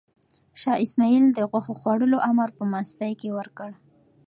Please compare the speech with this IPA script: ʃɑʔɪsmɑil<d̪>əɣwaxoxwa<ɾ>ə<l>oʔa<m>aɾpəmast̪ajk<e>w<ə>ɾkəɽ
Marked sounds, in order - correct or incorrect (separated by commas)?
correct, incorrect, correct, correct, correct, correct